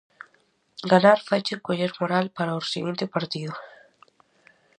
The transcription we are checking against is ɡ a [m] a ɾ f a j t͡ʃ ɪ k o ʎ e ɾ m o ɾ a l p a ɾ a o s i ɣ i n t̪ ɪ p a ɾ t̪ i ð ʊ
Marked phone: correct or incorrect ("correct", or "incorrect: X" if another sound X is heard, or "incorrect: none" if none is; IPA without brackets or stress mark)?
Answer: incorrect: n